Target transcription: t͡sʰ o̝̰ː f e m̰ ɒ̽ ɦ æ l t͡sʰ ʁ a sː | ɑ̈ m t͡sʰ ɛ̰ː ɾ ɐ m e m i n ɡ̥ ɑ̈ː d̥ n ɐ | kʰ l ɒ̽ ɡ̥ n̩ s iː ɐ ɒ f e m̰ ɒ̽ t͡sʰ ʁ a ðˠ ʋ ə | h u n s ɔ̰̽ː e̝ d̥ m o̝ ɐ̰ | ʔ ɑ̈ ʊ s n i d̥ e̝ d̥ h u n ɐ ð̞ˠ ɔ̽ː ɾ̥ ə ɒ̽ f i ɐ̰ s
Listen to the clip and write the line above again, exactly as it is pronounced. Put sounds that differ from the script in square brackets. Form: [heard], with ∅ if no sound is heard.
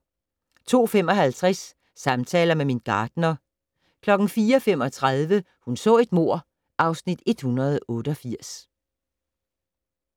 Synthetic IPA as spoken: t͡sʰ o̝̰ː f e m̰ ɒ̽ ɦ æ l t͡sʰ ʁ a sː | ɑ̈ m t͡sʰ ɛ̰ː [l] ɐ m e m i n ɡ̥ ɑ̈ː d̥ n ɐ | kʰ l ɒ̽ ɡ̥ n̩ [f] iː ɐ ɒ f e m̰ ɒ̽ t͡sʰ ʁ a ðˠ ʋ ə | h u n s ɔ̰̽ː e̝ d̥ m o̝ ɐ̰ | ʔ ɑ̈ ʊ s n i d̥ e̝ d̥ h u n ɐ ð̞ˠ ɔ̽ː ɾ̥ ə ɒ̽ f i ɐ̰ s